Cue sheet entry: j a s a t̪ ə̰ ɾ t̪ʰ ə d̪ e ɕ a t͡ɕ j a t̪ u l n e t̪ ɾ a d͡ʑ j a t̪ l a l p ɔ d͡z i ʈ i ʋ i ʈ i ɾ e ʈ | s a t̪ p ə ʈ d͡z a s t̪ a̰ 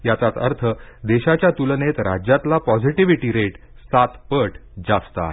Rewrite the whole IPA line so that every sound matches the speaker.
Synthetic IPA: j a t͡s a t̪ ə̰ ɾ t̪ʰ ə d̪ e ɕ a t͡ɕ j a t̪ u l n e t̪ ɾ a d͡ʑ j a t̪ l a p ɔ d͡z i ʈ i ʋ i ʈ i ɾ e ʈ | s a t̪ p ə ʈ d͡z a s t̪ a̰

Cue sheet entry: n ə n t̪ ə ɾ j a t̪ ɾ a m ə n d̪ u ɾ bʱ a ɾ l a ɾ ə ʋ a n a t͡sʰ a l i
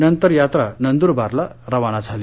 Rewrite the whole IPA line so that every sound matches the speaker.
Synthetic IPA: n ə n t̪ ə ɾ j a t̪ ɾ a n ə n d̪ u ɾ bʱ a ɾ l a ɾ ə ʋ a n a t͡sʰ a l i

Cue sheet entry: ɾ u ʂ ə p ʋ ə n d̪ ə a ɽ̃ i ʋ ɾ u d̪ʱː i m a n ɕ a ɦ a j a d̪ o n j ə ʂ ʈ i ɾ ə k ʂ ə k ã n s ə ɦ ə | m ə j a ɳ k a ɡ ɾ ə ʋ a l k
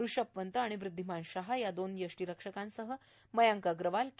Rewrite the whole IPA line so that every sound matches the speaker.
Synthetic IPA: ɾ u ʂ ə p ʋ ə n t̪ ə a ɽ̃ i ʋ ɾ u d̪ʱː i m a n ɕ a ɦ a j a d̪ o n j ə ʂ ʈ i ɾ ə k ʂ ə k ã n s ə ɦ ə | m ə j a ŋ k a ɡ ɾ ə ʋ a l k

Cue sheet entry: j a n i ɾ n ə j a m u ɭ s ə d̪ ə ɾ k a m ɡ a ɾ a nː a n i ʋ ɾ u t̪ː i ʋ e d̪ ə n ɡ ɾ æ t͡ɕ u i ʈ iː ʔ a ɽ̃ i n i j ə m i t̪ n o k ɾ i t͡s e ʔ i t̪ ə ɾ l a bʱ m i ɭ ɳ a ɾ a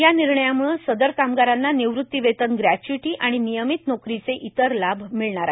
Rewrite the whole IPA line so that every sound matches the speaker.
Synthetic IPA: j a n i ɾ ɳ ə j a m u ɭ s ə d̪ ə ɾ k a m ɡ a ɾ a nː a n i ʋ ɾ u t̪ː i ʋ e t̪ ə n ɡ ɾ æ t͡ɕ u i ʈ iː ʔ a ɽ̃ i n i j ə m i t̪ n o k ɾ i t͡s e ʔ i t̪ ə ɾ l a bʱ m i ɭ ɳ a ɾ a

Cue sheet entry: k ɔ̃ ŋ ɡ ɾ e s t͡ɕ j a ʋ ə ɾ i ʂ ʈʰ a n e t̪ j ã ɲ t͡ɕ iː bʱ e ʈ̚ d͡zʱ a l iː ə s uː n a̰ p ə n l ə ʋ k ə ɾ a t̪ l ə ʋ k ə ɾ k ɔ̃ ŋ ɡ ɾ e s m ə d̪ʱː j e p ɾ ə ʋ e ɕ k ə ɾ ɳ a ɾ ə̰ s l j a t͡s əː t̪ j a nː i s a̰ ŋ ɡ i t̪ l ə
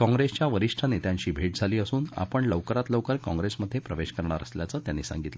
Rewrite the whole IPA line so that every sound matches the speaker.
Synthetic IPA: k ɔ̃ ŋ ɡ ɾ e s t͡ɕ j a ʋ ə ɾ i ʂ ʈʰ a n e t̪ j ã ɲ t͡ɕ iː bʱ e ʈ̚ d͡zʱ a l iː ə s uː n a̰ p ə ɳ l ə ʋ k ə ɾ a t̪ l ə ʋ k ə ɾ k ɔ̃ ŋ ɡ ɾ e s m ə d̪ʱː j e p ɾ ə ʋ e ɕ k ə ɾ ɳ a ɾ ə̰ s l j a t͡s əː t̪ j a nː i s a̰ ŋ ɡ i t̪ l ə

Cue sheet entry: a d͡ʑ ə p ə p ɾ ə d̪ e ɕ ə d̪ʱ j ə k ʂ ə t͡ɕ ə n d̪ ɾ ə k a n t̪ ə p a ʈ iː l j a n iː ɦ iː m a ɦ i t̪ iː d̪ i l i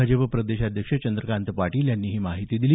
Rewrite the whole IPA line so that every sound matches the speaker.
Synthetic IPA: a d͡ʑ ə p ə p ɾ ə d̪ e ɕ a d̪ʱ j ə k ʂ ə t͡ɕ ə n d̪ ɾ ə k a n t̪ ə p a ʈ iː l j a nː iː ɦ iː m a ɦ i t̪ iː d̪ i l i

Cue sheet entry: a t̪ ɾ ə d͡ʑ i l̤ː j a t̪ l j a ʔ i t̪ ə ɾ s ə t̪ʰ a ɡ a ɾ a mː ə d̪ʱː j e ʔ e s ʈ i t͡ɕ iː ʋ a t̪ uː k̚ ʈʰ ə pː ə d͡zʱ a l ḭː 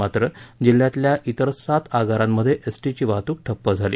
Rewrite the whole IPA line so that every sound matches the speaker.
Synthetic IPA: a t̪ ɾ ə d͡ʑ i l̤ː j a t̪ l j a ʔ i t̪ ə ɾ s a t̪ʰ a ɡ a ɾ a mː ə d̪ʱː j e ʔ e s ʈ i t͡ɕ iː ʋ a t̪ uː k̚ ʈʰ ə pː ə d͡zʱ a l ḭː

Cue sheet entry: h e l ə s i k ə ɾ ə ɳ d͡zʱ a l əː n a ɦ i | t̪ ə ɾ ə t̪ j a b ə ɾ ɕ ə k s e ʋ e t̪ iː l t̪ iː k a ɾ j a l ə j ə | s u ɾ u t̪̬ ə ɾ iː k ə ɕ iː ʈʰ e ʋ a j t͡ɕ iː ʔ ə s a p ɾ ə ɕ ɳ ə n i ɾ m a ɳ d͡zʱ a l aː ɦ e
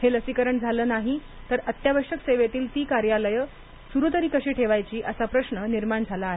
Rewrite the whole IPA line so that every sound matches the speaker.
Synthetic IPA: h e l ə s i k ə ɾ ə ɳ d͡zʱ a l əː n a ɦ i | t̪ ə ɾ ə t̪ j a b ə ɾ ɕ ə k s e ʋ e t̪ iː l t̪ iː k a ɾ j a l ə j ə | s u ɾ u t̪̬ ə ɾ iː k ə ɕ iː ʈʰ e ʋ a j t͡ɕ iː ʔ ə s a p ɾ ə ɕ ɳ ə n i ɾ m a ɳ d͡zʱ a l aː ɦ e

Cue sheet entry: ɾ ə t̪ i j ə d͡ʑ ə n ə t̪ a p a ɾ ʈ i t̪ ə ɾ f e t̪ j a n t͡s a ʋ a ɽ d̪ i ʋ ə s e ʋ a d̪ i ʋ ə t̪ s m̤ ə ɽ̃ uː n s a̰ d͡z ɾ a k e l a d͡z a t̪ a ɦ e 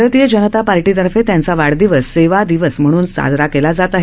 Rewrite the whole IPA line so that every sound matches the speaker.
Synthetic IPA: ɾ ə t̪ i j ə d͡ʑ ə n ə t̪ a p a ɾ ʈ i t̪ ə ɾ f e t̪ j a n t͡s a ʋ a ɽ d̪ i ʋ ə s e ʋ a d̪ i ʋ ə s m̤ ə ɽ̃ uː n s a̰ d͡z ɾ a k e l a d͡z a t̪ a ɦ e

